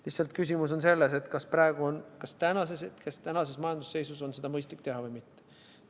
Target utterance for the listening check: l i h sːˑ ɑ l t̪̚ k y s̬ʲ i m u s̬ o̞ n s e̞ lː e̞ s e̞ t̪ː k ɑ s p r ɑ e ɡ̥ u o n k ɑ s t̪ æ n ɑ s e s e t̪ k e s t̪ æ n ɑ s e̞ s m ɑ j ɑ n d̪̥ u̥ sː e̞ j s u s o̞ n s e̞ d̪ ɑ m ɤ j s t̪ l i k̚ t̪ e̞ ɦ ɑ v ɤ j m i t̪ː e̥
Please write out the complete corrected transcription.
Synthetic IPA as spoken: l i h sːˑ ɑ l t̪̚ k y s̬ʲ i m u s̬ o̞ n s e̞ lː e̞ s e̞ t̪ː k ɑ s p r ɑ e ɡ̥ u o n k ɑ s t̪ æ n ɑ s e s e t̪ k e s t̪ æ n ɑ s e̞ s m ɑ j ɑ n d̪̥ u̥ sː e̞ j s u s o̞ n s e̞ d̪ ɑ m ɤ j s t̪ l i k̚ t̪ e̞ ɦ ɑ v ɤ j m i t̪ː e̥

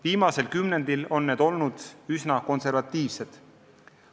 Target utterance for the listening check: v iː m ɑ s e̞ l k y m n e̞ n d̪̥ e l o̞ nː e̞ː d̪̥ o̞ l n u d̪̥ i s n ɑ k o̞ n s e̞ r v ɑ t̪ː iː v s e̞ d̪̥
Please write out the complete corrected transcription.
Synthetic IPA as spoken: v iː m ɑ s e̞ l k y m n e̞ n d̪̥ i l o̞ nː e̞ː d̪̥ o̞ l n u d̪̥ y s n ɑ k o̞ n s e̞ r v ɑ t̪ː iː v s e̞ d̪̥

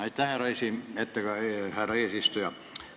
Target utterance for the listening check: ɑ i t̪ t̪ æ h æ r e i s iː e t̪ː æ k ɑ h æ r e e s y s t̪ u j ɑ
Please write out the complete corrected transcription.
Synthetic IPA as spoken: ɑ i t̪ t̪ æ h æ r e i s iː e t̪ː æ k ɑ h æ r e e s i s t̪ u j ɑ

